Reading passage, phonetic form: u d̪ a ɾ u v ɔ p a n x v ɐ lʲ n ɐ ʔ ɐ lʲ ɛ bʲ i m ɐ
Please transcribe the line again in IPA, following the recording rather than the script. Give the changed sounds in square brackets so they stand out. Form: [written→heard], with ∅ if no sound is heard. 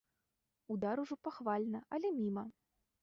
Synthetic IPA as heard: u d̪ a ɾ u [v→ʐ] ɔ p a [n→∅] x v [ɐ→a] lʲ n ɐ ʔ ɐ lʲ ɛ [bʲ→mʲ] i m ɐ